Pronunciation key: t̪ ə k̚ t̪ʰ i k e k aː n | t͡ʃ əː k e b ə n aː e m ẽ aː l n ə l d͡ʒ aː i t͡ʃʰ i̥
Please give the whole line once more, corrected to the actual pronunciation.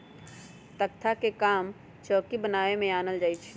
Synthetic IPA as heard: t̪ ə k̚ t̪ʰ a k e k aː m | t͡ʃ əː k i b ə n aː e m ẽ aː n ə l d͡ʒ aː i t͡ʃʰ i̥